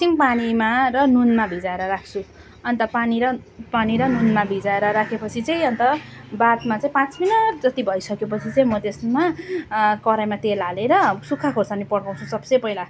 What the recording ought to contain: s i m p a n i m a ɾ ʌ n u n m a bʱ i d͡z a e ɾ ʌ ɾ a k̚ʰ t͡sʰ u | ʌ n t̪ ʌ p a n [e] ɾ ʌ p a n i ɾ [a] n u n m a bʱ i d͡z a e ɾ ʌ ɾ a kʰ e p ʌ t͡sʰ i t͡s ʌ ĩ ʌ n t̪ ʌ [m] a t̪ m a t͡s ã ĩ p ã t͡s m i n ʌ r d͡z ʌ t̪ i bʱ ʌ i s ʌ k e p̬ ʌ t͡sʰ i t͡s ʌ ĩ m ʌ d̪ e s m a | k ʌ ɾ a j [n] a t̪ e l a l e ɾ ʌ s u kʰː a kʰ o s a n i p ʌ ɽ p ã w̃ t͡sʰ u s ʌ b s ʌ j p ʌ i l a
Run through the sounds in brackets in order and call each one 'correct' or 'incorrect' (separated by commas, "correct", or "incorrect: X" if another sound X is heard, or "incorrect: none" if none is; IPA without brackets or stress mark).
incorrect: i, incorrect: ʌ, incorrect: b, incorrect: m